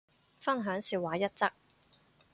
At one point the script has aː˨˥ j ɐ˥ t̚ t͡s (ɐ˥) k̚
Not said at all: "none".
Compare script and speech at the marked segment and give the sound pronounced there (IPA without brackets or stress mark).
ɐ˥